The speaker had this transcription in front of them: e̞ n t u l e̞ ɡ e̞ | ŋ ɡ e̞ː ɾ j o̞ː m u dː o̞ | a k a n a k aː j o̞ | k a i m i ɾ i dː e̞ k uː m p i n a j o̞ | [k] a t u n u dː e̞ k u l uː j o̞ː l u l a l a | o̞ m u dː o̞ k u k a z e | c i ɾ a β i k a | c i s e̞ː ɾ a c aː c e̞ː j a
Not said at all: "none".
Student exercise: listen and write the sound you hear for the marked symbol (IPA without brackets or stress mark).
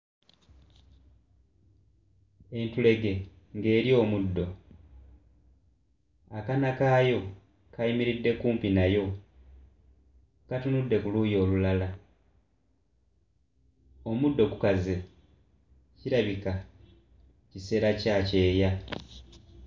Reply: k